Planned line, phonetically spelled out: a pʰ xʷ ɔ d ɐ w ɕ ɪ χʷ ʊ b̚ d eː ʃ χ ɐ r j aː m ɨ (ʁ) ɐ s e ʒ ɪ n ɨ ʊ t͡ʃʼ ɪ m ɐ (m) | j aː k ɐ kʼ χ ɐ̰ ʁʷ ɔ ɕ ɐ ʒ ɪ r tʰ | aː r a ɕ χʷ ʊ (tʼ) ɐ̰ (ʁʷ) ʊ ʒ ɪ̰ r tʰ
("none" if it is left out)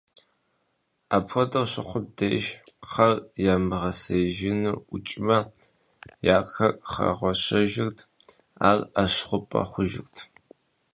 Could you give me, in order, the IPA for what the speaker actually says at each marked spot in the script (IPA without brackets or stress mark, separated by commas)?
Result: ʁ, none, pʼ, χʷ